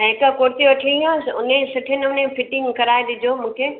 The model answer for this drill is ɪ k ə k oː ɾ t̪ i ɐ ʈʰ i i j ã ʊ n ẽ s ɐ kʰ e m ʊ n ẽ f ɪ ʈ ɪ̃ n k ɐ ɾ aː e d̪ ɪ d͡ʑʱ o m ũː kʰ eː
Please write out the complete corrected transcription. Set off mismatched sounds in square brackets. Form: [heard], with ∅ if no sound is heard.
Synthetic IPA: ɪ k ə k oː ɾ t̪ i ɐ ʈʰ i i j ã ʊ n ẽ s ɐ [ʈʰ] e [n] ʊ n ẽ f ɪ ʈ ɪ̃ [ŋ] k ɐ ɾ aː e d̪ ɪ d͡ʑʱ o m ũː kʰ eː